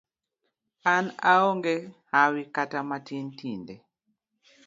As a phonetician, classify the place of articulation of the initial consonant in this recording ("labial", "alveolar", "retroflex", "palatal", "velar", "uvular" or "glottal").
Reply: alveolar